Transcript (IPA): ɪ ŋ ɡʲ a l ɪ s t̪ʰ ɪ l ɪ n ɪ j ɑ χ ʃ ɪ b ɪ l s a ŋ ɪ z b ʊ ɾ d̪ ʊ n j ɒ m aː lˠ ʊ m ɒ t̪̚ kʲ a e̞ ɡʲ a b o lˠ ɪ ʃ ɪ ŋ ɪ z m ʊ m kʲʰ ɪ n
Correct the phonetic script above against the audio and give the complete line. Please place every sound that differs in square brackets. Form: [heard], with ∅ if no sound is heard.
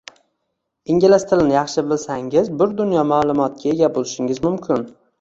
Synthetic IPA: ɪ ŋ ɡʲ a l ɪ s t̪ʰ ɪ l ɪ n ɪ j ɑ χ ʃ ɪ b ɪ l s a ŋ ɪ z b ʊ ɾ d̪ ʊ n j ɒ m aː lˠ ʊ m ɒ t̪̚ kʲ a e̞ ɡʲ a b o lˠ ɪ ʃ ɪ ŋ ɪ z m ʊ m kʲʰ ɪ n